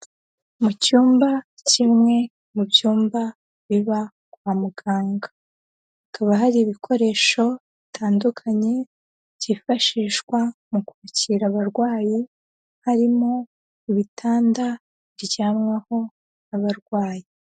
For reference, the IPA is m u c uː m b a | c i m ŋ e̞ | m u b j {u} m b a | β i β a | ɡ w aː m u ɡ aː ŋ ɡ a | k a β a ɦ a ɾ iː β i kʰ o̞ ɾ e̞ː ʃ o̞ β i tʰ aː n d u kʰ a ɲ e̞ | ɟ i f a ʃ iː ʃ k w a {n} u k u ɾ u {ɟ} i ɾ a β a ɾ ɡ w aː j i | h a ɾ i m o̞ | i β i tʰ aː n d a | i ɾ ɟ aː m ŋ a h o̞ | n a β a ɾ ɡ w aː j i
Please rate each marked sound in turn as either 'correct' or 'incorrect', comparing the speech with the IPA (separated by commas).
incorrect, incorrect, incorrect